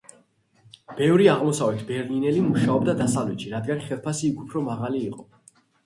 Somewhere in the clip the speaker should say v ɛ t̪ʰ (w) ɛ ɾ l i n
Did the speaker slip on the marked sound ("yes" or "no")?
yes